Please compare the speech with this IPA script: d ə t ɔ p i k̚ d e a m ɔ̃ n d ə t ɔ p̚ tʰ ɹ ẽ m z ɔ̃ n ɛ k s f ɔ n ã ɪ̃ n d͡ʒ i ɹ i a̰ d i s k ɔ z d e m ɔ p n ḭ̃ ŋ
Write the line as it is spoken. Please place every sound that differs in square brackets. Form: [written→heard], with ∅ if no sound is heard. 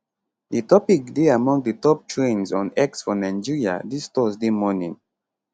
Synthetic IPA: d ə t ɔ p i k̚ d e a m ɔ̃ [n→ŋ] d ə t ɔ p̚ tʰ ɹ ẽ [m→n] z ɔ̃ n ɛ k s f ɔ n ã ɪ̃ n d͡ʒ i ɹ i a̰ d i s [k→t] ɔ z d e m ɔ [p→∅] n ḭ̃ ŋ